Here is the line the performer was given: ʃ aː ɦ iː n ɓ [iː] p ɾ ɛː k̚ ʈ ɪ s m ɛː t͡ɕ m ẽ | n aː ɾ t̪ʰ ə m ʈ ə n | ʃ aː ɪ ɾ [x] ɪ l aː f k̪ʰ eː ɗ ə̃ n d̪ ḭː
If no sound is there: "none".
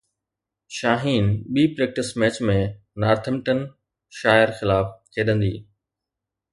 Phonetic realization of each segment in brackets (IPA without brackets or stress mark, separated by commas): iː, x